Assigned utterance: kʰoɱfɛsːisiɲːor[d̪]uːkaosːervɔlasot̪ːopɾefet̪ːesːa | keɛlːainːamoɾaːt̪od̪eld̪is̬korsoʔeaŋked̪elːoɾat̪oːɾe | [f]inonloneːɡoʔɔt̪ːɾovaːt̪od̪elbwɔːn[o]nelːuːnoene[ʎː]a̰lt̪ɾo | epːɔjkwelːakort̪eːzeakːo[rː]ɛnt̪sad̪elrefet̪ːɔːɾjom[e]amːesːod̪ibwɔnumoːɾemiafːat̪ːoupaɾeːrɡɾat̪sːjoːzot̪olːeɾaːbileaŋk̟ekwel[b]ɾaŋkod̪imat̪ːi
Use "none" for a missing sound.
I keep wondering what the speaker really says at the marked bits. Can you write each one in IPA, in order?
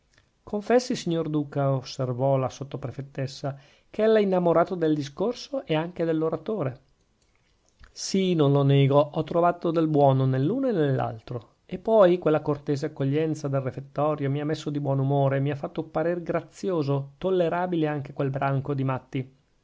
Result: d̪, s, o, lː, ʎː, i, b

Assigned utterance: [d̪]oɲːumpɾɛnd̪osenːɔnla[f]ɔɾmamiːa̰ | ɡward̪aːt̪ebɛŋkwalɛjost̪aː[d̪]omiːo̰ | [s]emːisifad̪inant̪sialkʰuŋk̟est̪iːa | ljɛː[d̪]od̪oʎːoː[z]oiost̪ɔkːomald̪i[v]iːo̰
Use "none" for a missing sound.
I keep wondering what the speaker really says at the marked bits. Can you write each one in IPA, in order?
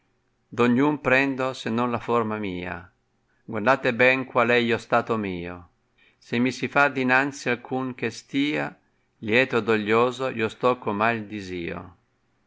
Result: d̪, f, t̪, s, t̪, z, z

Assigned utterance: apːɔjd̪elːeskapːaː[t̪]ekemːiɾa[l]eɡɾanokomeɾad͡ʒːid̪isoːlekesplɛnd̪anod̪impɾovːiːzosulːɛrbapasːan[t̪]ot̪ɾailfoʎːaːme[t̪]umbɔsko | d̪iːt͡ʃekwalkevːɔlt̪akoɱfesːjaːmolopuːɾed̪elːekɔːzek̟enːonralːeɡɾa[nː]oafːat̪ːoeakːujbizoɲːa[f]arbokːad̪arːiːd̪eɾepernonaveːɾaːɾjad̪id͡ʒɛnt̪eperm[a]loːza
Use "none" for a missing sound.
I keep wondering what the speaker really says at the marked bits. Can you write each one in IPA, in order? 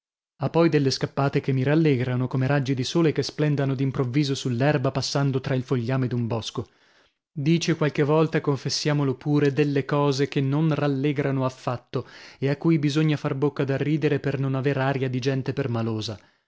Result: t̪, lː, d̪, d̪, n, f, a

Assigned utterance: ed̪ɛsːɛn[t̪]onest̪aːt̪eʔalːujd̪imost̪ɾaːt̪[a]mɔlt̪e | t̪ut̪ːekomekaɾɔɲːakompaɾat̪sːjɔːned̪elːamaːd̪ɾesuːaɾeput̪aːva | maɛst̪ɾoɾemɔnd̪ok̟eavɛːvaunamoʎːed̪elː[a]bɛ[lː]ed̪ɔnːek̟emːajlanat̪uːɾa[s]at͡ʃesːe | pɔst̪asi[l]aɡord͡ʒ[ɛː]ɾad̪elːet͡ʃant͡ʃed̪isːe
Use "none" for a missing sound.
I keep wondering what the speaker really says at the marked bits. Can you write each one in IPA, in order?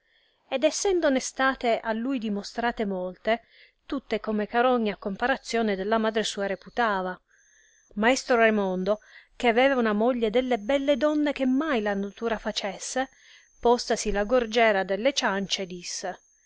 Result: d̪, e, e, lː, f, l, ɛː

